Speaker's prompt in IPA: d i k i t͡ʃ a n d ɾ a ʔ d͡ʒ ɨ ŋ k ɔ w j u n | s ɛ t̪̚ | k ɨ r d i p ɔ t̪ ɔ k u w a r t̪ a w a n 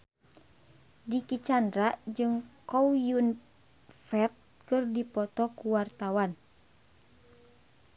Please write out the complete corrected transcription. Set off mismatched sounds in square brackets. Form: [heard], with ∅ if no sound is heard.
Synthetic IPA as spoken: d i k i t͡ʃ a n d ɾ a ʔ d͡ʒ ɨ ŋ k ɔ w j u n | [f] ɛ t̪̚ | k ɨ r d i p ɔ t̪ ɔ k u w a r t̪ a w a n